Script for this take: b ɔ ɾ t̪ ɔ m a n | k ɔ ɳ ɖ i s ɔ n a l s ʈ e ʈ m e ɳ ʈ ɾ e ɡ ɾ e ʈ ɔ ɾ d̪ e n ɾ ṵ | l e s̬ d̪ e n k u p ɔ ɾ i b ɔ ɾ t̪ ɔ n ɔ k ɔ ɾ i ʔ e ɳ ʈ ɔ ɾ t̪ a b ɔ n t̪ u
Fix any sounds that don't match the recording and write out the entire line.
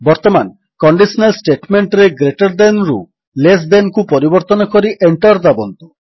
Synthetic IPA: b ɔ ɾ t̪ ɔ m a n | k ɔ ɳ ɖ i s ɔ n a l s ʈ e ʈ m e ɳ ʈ ɾ e ɡ ɾ e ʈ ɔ ɾ d̪ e n ɾ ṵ | l e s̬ d̪ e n k u p ɔ ɾ i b ɔ ɾ t̪ ɔ n ɔ k ɔ ɾ i ʔ e ɳ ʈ ɔ ɾ d̪ a b ɔ n t̪ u